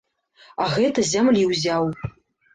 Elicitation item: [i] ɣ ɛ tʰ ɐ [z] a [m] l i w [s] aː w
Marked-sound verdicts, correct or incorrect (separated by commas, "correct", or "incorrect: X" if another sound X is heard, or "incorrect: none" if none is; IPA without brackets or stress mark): incorrect: a, correct, correct, incorrect: z